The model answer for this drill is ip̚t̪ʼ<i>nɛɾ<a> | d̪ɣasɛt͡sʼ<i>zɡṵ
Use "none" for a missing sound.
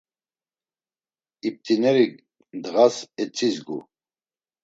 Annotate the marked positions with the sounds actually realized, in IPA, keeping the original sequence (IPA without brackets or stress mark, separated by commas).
i, i, i